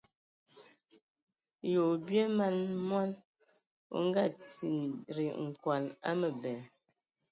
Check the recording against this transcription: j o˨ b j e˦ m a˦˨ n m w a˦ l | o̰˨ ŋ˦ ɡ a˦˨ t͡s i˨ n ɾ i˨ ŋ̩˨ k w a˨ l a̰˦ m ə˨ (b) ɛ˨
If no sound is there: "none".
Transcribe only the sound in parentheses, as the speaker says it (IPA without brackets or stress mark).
b